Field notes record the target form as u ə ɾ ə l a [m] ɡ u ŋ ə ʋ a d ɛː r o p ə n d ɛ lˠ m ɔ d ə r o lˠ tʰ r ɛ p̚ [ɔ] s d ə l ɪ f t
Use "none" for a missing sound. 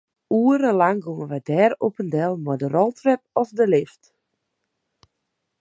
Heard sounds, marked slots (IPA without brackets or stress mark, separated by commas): ŋ, ɔ